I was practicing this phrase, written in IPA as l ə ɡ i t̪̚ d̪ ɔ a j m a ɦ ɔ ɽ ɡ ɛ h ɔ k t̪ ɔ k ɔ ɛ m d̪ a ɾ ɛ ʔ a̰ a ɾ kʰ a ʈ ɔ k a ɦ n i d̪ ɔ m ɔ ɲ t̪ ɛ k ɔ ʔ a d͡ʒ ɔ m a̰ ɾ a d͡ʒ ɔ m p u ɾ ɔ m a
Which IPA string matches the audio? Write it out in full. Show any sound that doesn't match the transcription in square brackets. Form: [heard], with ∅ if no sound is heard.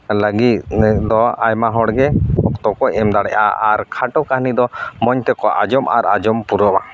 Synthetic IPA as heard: l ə ɡ i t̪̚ d̪ ɔ a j m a ɦ ɔ ɽ ɡ ɛ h ɔ k t̪ ɔ k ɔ ɛ m d̪ a [ɽ] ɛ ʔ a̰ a ɾ kʰ a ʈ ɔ k a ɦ n i d̪ ɔ m ɔ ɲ t̪ ɛ k ɔ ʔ a d͡ʒ ɔ m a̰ ɾ a d͡ʒ ɔ m p u ɾ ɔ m a